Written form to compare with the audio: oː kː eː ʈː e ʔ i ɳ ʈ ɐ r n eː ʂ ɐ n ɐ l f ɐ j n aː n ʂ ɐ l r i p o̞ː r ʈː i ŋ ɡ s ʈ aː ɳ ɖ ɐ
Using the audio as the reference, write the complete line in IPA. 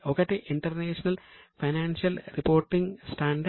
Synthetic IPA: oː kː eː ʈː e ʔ i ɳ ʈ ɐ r n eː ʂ ɐ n ɐ l f ɐ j n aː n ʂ ɐ l r i p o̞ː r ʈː i ŋ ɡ s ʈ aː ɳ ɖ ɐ

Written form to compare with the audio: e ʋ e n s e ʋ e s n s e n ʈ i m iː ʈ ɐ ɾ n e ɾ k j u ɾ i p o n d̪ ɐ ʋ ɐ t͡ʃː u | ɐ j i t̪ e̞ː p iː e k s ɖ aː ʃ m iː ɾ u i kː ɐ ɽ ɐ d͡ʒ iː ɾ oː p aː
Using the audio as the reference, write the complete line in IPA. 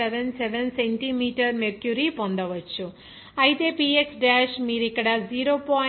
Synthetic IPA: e ʋ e n s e ʋ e n s e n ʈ i m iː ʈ ɐ ɾ m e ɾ k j u ɾ i p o n d̪ ɐ ʋ ɐ t͡ʃː u | ɐ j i t̪ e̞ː p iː e k s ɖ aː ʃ m iː ɾ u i kː ɐ ɽ ɐ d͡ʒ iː ɾ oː p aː

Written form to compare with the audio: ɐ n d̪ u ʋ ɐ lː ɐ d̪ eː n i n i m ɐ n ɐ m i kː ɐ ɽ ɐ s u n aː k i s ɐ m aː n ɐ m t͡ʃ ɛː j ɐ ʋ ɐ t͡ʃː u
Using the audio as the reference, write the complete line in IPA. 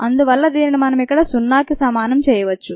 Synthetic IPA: ɐ n d̪ u ʋ ɐ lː ɐ d̪ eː n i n i m ɐ n ɐ m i kː ɐ ɽ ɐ s u nː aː k i s ɐ m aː n ɐ m t͡ʃ ɛː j ɐ ʋ ɐ t͡ʃː u

